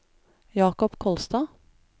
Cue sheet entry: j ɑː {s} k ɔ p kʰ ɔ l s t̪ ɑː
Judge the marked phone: incorrect: none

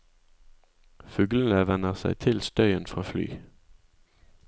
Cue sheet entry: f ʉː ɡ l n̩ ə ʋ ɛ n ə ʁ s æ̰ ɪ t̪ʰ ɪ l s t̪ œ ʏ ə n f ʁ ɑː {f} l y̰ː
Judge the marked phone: correct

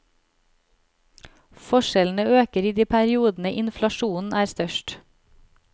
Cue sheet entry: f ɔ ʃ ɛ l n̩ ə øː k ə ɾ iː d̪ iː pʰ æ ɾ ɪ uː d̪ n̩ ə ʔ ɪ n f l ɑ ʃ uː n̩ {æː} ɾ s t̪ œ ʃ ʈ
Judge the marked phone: correct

